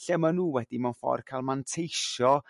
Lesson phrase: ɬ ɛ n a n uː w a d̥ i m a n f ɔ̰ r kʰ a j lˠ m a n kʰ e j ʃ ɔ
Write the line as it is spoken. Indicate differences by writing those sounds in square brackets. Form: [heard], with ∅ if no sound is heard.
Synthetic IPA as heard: ɬ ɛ [m] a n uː w [ɛ] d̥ i m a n f ɔ̰ r kʰ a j lˠ m a n [tʰ] e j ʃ ɔ